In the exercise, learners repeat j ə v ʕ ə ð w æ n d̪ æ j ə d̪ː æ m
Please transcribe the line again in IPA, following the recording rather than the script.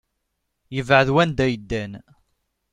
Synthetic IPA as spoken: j ə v ʕ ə ð w æ n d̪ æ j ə d̪ː æ n